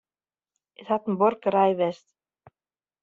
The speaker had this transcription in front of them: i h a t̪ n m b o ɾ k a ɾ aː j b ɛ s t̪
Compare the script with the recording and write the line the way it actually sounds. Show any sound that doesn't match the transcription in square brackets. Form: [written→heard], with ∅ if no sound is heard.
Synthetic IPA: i [h→θ] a t̪ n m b [o→ɔ] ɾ k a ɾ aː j [b→v] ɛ s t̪